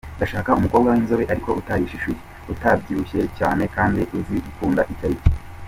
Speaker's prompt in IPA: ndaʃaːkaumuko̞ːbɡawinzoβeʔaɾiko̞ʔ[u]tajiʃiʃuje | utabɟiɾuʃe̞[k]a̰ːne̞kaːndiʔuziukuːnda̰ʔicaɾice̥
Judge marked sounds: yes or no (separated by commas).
yes, no